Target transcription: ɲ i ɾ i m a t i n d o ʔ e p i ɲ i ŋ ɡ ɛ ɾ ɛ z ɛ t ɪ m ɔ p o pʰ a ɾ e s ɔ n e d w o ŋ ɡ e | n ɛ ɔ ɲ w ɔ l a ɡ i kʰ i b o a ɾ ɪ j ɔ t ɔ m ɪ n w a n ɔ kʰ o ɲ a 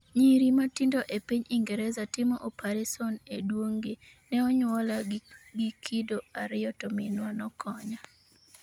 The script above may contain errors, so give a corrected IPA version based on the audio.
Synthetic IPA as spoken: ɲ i ɾ i m a t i n d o ʔ e p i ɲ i ŋ ɡ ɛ ɾ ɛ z a t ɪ m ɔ ʔ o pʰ a ɾ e s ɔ n e d w o ŋ ɡ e | n ɛ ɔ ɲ w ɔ l a ɡ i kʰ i d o a ɾ ɪ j ɔ t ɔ m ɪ n w a n ɔ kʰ ɔ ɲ a

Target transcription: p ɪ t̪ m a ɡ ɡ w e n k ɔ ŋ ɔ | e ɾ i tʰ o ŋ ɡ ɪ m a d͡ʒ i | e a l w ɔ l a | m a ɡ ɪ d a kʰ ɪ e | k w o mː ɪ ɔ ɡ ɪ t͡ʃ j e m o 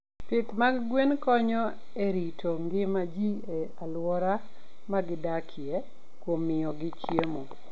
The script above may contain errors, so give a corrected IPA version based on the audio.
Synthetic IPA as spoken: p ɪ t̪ m a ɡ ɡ w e n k ɔ ɲ ɔ | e ɾ i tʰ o ŋ ɡ ɪ m a d͡ʒ i | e a l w ɔ ɾ a | m a ɡ ɪ d a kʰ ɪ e | k w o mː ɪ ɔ ɡ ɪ t͡ʃ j e m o

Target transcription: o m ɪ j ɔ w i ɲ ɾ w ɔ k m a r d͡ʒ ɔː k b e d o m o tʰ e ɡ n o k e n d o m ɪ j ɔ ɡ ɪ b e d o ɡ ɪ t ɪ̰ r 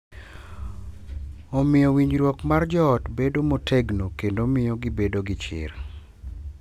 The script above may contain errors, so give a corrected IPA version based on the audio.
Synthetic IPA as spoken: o m ɪ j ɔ w i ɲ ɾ w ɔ k m a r d͡ʒ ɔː t b e d o m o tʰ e ɡ n o k e n d o m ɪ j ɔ ɡ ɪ b e d o ɡ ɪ t͡ʃ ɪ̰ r

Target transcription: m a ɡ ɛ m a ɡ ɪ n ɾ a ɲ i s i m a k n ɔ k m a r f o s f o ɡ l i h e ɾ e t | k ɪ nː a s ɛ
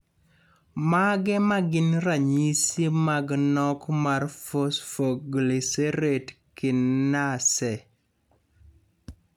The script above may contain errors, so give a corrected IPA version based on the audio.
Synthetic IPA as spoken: m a ɡ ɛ m a ɡ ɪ n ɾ a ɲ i s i m a ɡ n ɔ k m a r f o s f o ɡ l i s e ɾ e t | k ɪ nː a s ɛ

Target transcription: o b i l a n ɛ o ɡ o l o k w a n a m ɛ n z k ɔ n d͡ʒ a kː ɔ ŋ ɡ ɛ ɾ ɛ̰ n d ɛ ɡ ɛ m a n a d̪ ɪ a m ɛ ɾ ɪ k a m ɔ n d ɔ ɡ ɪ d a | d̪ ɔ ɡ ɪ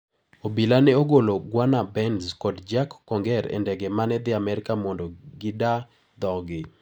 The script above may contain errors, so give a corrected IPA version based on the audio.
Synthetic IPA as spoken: o b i l a n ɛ o ɡ o l o ɡ w a n a b ɛ n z k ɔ d d͡ʒ a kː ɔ ŋ ɡ ɛ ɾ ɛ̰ n d ɛ ɡ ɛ m a n ɛ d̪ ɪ a m ɛ ɾ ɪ k a m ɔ n d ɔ ɡ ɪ d a | d̪ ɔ ɡ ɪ

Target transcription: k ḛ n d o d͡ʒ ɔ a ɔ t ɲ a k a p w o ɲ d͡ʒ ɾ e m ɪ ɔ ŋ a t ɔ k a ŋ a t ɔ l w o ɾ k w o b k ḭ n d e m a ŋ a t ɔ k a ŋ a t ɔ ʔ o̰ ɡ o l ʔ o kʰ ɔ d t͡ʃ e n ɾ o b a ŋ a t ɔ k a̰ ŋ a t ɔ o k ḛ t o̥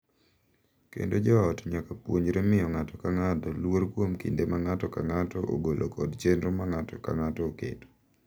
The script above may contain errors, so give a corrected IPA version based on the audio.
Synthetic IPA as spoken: k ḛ n d o d͡ʒ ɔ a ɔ t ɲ a k a p w o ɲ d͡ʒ ɾ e m ɪ ɔ ŋ a t ɔ k a ŋ a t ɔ l w o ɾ k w o m k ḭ n d e m a ŋ a t ɔ k a ŋ a t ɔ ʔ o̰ ɡ o l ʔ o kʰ ɔ d t͡ʃ e n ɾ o m a ŋ a t ɔ k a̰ ŋ a t ɔ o k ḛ t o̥

